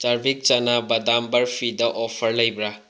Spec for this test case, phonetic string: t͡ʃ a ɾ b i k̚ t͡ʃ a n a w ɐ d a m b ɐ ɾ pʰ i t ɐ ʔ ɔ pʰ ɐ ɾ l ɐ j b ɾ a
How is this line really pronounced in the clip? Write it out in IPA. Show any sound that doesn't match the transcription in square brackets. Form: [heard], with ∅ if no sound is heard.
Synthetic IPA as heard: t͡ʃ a ɾ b i k̚ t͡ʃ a n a [b] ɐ d a m b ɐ ɾ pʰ i [d] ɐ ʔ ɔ pʰ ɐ ɾ l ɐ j b ɾ a